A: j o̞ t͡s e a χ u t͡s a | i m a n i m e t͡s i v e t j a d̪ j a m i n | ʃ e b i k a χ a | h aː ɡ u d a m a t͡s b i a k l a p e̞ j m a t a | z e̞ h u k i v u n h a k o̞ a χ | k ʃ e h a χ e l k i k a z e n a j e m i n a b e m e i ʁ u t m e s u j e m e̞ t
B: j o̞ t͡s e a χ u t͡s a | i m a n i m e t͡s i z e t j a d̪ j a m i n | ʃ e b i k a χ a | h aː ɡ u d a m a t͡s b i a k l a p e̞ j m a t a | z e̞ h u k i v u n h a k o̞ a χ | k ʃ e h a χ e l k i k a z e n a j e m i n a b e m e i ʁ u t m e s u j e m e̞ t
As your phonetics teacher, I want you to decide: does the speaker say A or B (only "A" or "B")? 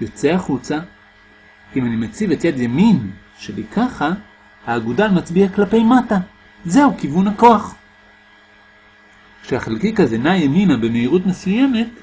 A